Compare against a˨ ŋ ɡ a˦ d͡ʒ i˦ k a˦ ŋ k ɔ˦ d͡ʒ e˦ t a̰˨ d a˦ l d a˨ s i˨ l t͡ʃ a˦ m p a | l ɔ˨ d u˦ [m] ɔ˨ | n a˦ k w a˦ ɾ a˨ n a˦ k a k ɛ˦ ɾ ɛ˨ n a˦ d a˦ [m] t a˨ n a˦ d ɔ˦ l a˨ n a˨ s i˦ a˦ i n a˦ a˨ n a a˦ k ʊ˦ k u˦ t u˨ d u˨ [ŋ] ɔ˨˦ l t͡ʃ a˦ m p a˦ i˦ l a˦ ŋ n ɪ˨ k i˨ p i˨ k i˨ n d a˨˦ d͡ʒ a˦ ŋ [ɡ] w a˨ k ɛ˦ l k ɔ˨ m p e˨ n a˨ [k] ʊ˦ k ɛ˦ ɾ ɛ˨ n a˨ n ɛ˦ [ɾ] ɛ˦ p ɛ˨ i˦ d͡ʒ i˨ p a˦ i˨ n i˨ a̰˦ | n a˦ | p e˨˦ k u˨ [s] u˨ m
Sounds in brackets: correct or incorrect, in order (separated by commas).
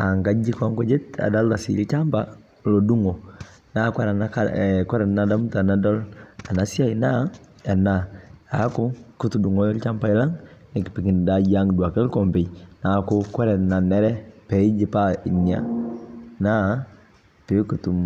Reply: incorrect, correct, correct, incorrect, correct, correct, incorrect